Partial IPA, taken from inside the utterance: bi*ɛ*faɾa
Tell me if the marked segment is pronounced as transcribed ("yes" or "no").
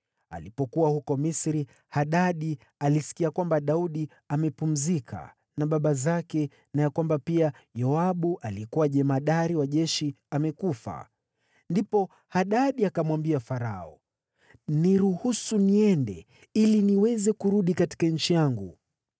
no